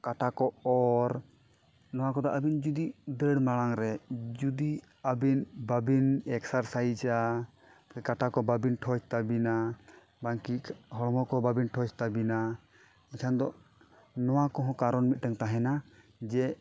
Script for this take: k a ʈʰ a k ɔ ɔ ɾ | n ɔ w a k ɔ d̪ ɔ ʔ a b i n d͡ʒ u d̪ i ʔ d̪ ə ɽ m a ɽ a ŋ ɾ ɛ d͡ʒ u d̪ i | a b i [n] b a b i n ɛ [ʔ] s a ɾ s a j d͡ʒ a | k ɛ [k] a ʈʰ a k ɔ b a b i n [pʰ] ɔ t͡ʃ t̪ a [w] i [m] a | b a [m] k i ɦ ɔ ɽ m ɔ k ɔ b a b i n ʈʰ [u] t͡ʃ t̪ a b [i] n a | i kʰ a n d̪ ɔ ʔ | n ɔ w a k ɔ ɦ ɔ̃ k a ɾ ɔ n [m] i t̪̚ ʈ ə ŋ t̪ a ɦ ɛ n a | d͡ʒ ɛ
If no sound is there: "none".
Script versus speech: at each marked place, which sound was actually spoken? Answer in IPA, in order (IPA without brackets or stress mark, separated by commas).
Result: n, k, k, ʈʰ, b, n, ŋ, ɔ, i, m